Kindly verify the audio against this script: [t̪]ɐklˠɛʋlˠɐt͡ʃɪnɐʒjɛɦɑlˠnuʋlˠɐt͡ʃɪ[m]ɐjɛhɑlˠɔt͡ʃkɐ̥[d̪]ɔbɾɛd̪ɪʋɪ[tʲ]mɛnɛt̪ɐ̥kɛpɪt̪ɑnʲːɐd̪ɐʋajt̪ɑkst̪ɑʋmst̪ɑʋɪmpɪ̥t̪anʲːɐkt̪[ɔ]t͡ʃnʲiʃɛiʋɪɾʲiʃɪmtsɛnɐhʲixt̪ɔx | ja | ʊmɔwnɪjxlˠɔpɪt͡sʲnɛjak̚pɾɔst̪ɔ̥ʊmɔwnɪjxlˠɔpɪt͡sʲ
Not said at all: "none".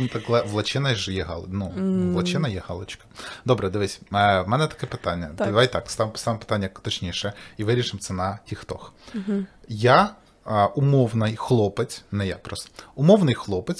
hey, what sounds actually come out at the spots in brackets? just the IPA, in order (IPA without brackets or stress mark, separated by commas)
t̪, n, d̪, sʲ, ɔ